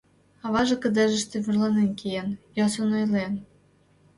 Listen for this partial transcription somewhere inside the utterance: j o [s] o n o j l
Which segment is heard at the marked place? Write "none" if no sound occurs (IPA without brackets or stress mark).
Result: s